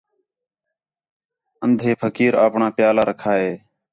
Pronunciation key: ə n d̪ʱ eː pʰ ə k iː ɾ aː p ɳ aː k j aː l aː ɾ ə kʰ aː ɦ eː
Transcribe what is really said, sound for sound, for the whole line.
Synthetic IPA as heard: ə n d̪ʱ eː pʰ ə k iː ɾ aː p ɳ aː p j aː l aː ɾ ə kʰ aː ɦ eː